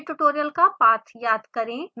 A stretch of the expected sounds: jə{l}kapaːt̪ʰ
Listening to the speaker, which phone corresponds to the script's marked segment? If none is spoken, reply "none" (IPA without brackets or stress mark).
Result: l